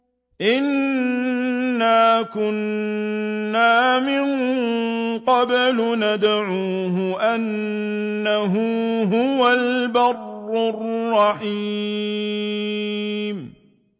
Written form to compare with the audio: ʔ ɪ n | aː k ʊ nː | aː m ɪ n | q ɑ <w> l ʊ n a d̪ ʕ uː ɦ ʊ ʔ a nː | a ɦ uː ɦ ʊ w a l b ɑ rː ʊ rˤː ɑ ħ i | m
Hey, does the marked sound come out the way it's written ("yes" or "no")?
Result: no